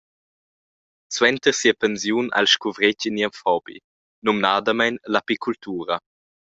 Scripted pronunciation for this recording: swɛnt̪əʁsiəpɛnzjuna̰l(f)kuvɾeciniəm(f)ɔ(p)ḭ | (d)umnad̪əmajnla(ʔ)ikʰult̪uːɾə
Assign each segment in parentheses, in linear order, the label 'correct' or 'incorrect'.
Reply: incorrect: ʃ, correct, incorrect: b, incorrect: n, incorrect: p

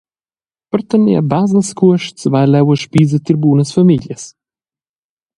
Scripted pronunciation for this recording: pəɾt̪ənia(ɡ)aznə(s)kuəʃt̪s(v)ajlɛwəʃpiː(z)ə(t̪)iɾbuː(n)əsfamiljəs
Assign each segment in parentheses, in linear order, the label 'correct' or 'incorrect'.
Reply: incorrect: b, correct, correct, correct, correct, correct

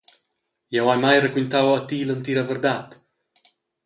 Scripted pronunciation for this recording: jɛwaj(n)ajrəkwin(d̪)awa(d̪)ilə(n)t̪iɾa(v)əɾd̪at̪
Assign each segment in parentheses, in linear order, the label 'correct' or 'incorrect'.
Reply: incorrect: m, incorrect: t̪, incorrect: t̪, correct, correct

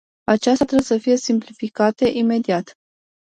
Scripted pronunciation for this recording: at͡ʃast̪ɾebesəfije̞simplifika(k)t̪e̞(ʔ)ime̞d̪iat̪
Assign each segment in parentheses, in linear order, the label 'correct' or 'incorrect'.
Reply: incorrect: none, correct

